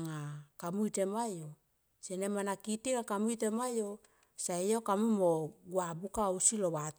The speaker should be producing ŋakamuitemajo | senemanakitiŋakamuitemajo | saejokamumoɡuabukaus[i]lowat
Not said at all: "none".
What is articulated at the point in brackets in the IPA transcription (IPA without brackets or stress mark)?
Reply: i